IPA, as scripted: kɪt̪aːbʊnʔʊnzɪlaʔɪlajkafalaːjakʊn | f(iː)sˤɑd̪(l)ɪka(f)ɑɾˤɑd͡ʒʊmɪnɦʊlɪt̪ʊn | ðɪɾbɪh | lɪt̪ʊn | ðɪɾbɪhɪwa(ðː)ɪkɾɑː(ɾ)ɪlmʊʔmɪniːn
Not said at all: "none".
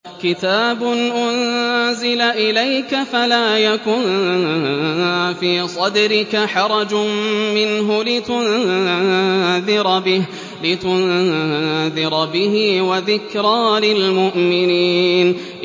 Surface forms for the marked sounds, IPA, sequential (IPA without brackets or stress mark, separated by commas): iː, ɾ, ħ, ð, l